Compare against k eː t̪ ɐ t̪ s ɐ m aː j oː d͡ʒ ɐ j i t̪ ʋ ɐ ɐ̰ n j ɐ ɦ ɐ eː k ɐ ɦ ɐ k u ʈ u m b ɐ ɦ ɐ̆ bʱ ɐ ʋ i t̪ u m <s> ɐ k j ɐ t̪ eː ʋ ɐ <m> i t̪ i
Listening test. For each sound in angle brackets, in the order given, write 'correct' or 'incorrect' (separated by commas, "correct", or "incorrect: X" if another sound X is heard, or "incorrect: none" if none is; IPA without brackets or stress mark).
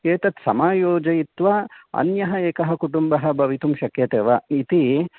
incorrect: ʃ, incorrect: none